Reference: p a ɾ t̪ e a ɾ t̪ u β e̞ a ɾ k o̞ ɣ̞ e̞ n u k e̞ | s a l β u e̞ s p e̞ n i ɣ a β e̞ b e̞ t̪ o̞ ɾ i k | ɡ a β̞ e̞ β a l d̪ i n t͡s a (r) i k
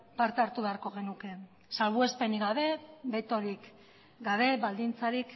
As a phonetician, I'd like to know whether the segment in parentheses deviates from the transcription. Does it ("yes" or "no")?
yes